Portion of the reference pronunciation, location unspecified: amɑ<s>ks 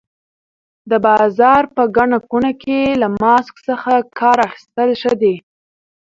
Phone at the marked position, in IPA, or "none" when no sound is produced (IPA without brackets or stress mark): s